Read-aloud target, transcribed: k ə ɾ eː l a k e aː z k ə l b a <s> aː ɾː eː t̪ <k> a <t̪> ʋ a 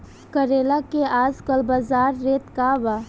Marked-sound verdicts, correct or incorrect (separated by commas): incorrect, correct, incorrect